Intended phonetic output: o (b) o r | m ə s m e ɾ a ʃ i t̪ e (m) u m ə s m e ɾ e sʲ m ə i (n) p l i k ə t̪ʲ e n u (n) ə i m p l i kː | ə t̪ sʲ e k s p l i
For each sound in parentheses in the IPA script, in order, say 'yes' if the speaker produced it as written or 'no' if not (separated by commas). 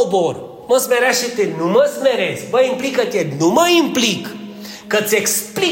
yes, no, no, no